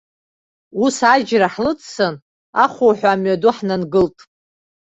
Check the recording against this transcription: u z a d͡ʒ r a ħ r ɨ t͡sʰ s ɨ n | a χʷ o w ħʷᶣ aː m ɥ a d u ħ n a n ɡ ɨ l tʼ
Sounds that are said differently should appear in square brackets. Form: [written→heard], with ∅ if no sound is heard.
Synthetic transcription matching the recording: u [z→s] a d͡ʒ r a ħ [r→l] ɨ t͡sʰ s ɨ n | a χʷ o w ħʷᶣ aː m ɥ a d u ħ n a n ɡ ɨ l tʼ

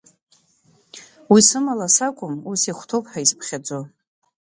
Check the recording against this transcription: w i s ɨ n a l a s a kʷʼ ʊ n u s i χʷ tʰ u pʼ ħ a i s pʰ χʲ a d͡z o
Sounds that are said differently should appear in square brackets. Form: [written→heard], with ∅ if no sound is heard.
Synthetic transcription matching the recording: w i s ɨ [n→m] a l a s a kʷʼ ʊ [n→m] u s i χʷ tʰ [u→o] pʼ ħ a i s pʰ χʲ a d͡z o

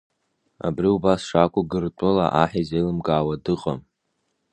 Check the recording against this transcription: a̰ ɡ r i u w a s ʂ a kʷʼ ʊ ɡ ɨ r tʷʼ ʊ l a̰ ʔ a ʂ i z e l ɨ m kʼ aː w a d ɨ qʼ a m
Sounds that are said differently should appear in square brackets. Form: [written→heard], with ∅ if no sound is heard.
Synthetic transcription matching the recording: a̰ [ɡ→b] r i u [w→b] a s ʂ a kʷʼ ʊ ɡ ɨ r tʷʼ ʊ l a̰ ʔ a [ʂ→ħ] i z e l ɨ m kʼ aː w a d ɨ qʼ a m

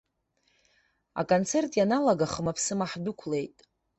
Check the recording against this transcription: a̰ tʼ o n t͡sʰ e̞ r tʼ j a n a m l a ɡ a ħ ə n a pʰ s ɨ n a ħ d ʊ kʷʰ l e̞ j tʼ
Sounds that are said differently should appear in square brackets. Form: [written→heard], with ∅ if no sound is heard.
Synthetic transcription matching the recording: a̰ [tʼ→kʼ] o n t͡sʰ e̞ r tʼ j a n a [m→∅] l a ɡ a [ħ→χ] ə [n→m] a pʰ s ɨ [n→m] a ħ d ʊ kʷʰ l e̞ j tʼ

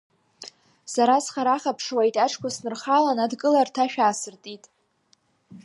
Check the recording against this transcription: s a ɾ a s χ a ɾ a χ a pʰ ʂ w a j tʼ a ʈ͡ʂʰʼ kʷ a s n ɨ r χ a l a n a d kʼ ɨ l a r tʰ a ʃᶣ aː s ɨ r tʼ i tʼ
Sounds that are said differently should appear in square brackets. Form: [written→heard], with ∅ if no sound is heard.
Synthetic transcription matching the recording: s a ɾ a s χ a ɾ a χ a pʰ ʂ w a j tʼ a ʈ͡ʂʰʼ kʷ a s n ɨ r χ a l a n a d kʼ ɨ l a r tʰ a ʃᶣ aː s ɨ r tʼ i tʼ

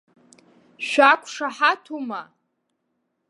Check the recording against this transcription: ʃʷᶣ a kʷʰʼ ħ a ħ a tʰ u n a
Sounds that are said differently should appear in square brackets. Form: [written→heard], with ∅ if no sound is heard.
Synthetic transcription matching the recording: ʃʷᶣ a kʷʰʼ [ħ→ʂ] a ħ a tʰ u [n→m] a

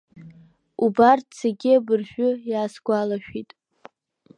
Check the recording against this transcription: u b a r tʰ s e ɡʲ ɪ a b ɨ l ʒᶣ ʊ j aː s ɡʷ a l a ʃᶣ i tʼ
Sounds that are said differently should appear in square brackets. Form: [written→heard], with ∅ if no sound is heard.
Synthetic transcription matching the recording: u b a r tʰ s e ɡʲ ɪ a b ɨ [l→r] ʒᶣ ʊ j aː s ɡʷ a l a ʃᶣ i tʼ

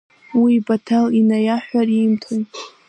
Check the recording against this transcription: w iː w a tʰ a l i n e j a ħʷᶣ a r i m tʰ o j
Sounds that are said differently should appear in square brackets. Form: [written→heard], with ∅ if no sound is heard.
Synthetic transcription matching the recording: w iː [w→b] a tʰ a l i n [e→a] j a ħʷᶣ a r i m tʰ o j

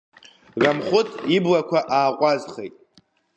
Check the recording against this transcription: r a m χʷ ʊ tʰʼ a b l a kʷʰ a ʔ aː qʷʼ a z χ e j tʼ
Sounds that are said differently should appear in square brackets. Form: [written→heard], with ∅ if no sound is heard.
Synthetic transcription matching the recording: r a m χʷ ʊ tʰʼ [a→i] b l a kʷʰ a ʔ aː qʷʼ a z χ e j tʼ

